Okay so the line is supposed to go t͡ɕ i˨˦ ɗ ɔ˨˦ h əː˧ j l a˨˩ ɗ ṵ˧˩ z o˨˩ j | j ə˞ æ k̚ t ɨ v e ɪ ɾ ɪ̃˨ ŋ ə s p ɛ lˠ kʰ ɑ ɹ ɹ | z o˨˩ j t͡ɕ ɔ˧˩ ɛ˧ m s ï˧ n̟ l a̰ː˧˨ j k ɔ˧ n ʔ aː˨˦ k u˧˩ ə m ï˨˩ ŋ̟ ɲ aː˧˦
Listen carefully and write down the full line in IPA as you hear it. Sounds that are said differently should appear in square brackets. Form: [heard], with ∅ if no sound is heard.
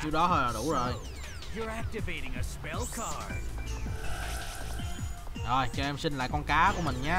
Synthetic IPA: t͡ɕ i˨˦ ɗ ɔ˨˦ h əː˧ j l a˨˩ ɗ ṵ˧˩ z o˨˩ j | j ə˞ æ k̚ t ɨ v e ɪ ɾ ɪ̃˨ ŋ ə s p ɛ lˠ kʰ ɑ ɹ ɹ | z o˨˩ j t͡ɕ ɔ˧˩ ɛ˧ m s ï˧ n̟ l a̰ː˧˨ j k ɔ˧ n [k] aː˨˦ k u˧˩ ə m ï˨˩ ŋ̟ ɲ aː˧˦